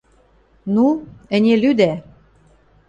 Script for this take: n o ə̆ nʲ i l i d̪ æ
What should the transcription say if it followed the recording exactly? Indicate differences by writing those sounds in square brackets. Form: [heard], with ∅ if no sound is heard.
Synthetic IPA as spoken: n [u] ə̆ nʲ [e] l [y] d̪ æ